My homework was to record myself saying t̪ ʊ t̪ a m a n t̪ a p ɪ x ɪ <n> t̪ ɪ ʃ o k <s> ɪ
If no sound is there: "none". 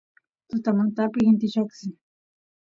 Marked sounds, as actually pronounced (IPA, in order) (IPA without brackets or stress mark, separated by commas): n, s